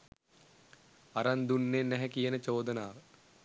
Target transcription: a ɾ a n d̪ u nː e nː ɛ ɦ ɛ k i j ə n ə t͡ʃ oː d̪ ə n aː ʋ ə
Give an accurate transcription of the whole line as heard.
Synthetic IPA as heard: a ɾ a n d̪ u nː e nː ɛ ɦ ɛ k i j ə n ə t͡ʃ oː d̪ ə n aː ʋ ə